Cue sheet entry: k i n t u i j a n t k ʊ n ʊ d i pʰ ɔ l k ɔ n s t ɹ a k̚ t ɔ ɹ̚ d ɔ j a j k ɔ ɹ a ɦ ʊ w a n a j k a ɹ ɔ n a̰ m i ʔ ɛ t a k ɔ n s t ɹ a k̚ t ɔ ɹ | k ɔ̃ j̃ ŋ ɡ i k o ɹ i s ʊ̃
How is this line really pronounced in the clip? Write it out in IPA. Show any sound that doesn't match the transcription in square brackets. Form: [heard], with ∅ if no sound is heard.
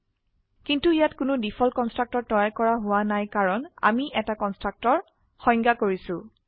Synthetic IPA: k i n t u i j a [∅] t k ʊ n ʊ d i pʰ ɔ l k ɔ n s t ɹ a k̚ t ɔ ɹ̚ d ɔ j a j k ɔ ɹ a ɦ ʊ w a n a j k a ɹ ɔ n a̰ m i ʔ ɛ t a k ɔ n s t ɹ a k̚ t ɔ ɹ | [x] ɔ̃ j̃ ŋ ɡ [a] k o ɹ i s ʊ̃